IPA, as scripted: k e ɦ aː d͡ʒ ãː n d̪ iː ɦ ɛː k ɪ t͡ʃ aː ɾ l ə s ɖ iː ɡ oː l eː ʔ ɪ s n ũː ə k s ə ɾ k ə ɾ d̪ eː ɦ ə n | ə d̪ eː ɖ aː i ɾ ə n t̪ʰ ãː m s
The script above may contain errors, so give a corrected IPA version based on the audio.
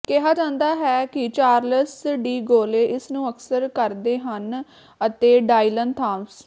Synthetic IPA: k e ɦ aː d͡ʒ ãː n d̪ aː ɦ ɛː k ɪ t͡ʃ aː ɾ l ə s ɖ iː ɡ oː l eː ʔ ɪ s n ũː ə k s ə ɾ k ə ɾ d̪ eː ɦ ə n | ə t̪ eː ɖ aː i l ə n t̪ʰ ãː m s

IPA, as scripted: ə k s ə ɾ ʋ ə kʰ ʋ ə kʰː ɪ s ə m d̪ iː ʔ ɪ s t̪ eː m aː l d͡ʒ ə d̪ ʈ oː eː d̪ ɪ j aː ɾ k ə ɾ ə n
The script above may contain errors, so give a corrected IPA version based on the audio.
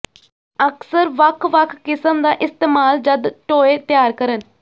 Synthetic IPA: ə k s ə ɾ ʋ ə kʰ ʋ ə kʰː ɪ s ə m d̪ aː ʔ ɪ s t̪ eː m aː l d͡ʒ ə d̪ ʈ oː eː t̪ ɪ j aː ɾ k ə ɾ ə n

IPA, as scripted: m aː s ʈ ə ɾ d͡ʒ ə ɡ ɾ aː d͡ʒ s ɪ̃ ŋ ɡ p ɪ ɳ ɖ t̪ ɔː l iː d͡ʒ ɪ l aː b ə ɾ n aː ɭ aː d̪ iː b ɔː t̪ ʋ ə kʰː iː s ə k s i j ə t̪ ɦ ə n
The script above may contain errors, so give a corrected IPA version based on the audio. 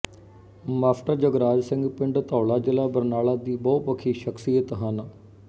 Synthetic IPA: m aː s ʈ ə ɾ d͡ʒ ə ɡ ɾ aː d͡ʒ s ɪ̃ ŋ ɡ p ɪ ɳ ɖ t̪ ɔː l aː d͡ʒ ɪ l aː b ə ɾ n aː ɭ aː d̪ iː b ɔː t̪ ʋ ə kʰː iː ʃ ə k s i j ə t̪ ɦ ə n

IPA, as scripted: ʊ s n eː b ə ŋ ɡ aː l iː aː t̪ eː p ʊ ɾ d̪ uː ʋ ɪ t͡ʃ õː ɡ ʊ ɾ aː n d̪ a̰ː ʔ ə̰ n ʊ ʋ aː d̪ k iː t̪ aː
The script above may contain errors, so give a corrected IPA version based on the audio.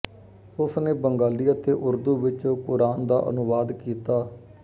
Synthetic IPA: ʊ s n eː b ə ŋ ɡ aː l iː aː t̪ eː ʔ ʊ ɾ d̪ uː ʋ ɪ t͡ʃ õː k ʊ ɾ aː n d̪ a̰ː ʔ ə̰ n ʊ ʋ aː d̪ k iː t̪ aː

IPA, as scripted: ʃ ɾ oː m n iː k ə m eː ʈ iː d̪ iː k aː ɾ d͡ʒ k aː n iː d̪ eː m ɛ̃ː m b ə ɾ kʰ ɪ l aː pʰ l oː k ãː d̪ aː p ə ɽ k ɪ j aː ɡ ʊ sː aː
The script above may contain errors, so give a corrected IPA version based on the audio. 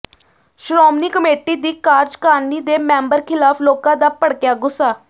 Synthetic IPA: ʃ ɾ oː m n iː k ə m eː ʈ iː d̪ iː k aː ɾ d͡ʒ k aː n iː d̪ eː m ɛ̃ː m b ə ɾ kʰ ɪ l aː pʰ l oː k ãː d̪ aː p ə ɽ k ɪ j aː ɡ ʊ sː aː

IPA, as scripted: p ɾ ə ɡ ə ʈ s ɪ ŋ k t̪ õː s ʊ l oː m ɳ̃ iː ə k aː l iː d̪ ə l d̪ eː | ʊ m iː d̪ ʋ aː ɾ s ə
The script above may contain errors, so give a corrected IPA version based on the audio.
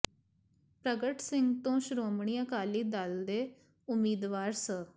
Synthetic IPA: p ɾ ə ɡ ə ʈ s ɪ ŋ ɡ t̪ õː ʃ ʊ ɾ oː m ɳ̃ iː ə k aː l iː d̪ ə l d̪ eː | ʊ m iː d̪ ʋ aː ɾ s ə

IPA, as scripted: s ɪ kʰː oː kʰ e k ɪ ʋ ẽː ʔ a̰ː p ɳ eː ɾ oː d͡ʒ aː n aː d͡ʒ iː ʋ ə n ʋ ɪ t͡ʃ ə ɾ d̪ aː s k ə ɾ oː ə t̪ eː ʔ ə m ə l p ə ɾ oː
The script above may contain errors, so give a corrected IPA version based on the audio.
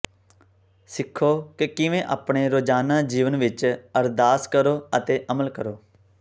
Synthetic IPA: s ɪ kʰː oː k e k ɪ ʋ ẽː ʔ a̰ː p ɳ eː ɾ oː d͡ʒ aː n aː d͡ʒ iː ʋ ə n ʋ ɪ t͡ʃ ə ɾ d̪ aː s k ə ɾ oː ə t̪ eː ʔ ə m ə l k ə ɾ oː

